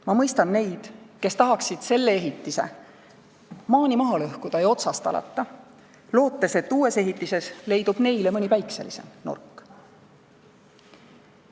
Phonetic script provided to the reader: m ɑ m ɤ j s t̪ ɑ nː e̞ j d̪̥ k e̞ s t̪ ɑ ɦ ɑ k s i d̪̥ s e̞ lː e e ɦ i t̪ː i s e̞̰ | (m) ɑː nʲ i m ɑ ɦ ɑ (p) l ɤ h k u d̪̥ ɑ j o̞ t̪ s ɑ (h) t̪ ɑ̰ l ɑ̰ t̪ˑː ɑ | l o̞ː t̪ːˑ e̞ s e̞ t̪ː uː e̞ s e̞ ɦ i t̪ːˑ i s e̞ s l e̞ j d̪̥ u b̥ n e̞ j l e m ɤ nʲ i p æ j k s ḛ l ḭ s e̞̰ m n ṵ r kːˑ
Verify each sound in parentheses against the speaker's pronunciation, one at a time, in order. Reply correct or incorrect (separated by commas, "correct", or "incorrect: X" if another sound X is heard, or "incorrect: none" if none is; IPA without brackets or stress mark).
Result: correct, incorrect: none, incorrect: s